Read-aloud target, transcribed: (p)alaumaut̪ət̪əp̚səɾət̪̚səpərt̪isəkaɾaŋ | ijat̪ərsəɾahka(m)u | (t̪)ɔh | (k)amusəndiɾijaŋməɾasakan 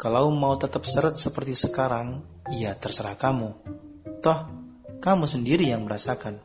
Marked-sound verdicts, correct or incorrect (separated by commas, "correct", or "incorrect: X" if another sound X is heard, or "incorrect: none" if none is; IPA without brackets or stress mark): incorrect: k, correct, correct, correct